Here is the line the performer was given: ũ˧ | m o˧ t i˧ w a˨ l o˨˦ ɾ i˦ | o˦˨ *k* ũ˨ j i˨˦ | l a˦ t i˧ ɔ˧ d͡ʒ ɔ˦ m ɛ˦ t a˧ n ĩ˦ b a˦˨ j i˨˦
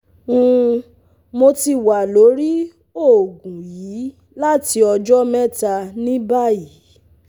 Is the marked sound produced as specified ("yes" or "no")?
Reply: no